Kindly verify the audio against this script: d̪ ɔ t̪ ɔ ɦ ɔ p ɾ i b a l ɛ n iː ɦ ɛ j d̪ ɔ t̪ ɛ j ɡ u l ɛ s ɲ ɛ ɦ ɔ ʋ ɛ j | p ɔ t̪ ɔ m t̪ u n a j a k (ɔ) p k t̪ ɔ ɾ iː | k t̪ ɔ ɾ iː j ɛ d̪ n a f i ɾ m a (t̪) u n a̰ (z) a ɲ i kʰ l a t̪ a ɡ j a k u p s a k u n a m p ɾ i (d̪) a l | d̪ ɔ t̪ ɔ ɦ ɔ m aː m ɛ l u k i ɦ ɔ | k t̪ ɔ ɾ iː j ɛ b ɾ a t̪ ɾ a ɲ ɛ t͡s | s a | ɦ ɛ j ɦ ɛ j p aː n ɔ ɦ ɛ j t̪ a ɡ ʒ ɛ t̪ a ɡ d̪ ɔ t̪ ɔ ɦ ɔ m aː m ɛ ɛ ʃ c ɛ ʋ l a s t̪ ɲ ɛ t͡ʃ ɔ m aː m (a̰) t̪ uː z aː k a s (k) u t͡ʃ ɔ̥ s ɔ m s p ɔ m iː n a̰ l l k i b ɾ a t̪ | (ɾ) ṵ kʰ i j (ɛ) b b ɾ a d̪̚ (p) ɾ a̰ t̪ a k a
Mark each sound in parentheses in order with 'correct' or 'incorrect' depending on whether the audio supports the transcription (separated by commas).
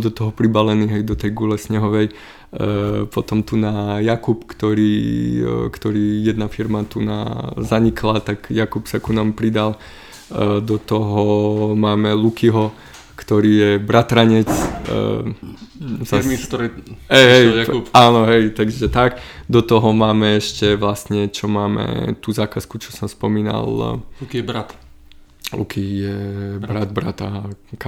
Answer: incorrect, correct, correct, correct, incorrect, correct, incorrect, correct, incorrect